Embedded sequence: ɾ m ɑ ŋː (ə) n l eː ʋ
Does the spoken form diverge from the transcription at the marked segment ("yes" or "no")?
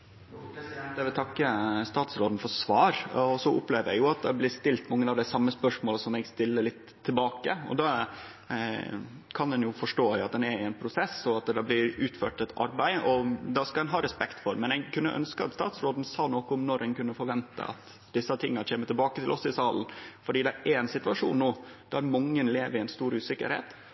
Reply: no